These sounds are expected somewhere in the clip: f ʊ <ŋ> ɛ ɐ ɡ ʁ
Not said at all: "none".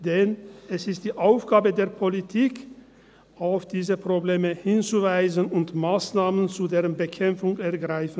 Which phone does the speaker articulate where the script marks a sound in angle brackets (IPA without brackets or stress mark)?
ŋ